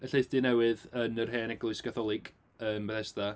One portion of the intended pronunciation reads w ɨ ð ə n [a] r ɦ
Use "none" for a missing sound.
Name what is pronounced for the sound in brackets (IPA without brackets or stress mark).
ə